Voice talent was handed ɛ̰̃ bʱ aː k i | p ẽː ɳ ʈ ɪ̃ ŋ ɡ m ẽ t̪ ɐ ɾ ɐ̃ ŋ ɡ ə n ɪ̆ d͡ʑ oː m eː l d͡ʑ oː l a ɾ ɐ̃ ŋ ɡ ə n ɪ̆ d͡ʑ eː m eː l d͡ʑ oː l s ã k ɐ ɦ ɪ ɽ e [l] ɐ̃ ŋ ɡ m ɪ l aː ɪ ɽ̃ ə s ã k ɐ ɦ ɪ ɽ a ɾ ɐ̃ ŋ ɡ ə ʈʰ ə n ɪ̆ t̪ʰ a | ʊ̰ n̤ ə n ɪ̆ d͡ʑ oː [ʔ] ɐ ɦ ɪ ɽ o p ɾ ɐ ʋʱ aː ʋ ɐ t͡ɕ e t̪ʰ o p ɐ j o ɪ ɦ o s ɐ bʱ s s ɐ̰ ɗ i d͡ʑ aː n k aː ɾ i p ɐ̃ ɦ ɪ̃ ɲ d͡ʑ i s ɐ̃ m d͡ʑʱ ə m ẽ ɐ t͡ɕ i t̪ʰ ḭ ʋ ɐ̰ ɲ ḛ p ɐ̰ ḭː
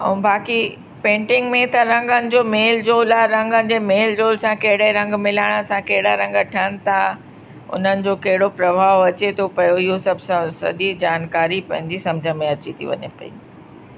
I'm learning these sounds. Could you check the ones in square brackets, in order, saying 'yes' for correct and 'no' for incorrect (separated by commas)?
no, no